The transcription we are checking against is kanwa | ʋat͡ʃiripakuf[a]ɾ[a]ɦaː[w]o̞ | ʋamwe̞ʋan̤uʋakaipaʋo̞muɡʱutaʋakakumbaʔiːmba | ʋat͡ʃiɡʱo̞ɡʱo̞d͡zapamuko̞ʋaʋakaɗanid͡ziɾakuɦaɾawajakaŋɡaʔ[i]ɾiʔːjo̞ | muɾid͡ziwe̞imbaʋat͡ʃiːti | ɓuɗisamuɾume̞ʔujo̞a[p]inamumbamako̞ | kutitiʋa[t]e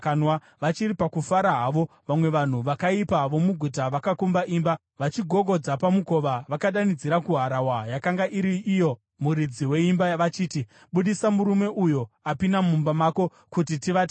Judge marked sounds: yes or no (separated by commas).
yes, yes, no, yes, yes, yes